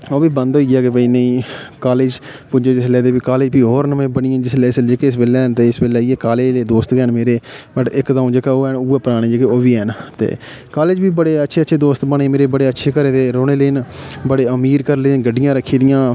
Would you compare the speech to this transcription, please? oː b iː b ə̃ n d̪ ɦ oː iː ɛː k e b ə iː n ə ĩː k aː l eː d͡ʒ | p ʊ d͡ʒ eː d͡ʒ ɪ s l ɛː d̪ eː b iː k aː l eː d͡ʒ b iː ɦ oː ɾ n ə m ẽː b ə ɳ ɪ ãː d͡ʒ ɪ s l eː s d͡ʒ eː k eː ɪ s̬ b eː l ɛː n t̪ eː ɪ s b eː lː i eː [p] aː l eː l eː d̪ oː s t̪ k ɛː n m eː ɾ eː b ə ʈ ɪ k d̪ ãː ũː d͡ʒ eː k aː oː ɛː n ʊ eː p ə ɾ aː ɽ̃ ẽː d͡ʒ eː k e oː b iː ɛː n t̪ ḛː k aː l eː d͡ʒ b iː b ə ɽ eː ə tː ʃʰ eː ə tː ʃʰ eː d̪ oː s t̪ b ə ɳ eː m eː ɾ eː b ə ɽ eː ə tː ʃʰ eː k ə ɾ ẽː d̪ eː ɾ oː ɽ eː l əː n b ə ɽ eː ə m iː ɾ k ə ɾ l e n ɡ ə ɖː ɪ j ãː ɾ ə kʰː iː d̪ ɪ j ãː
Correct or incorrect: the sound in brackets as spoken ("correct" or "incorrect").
incorrect